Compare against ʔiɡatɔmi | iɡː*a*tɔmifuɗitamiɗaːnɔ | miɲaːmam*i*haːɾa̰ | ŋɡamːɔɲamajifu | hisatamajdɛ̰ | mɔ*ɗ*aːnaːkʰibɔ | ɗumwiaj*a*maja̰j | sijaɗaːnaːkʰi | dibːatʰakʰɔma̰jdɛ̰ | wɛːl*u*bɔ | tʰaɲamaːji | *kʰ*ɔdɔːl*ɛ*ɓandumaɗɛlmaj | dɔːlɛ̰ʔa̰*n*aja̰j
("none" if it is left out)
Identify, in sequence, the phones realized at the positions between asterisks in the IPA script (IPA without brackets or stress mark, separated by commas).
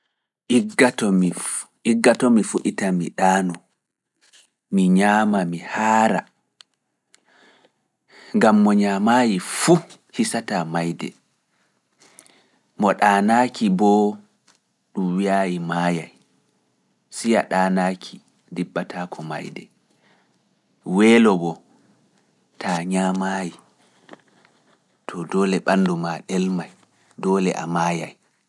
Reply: a, i, ɗ, i, ɔ, tʰ, ɛ, m